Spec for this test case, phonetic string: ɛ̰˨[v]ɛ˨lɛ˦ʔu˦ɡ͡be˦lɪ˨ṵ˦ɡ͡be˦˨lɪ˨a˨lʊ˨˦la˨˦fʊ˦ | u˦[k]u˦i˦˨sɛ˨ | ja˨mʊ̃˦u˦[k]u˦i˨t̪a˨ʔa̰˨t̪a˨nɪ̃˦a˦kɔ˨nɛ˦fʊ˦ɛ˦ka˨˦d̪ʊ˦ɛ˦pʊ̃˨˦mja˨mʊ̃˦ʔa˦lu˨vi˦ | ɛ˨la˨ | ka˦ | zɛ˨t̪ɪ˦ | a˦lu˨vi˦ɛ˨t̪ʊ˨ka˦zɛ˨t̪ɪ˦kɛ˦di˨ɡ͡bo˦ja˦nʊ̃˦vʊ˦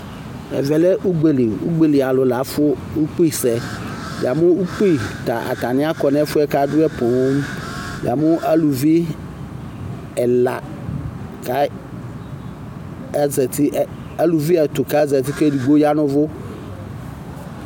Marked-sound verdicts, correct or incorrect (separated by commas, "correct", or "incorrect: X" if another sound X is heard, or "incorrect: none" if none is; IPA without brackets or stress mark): correct, incorrect: k͡p, incorrect: k͡p